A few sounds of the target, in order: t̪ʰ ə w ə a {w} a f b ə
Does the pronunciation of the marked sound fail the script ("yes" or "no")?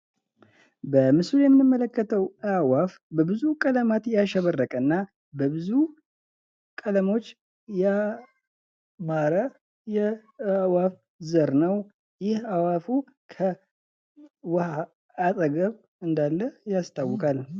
no